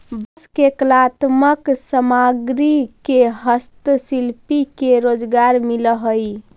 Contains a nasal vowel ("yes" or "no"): no